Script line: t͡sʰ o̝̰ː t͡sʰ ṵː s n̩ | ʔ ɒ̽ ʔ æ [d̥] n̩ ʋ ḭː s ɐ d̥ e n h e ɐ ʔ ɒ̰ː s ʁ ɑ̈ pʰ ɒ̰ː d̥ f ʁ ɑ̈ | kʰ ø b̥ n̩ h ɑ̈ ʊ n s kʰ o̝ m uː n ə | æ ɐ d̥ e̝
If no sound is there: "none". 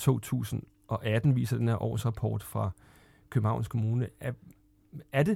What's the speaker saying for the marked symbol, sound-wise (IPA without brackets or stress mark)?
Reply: d̥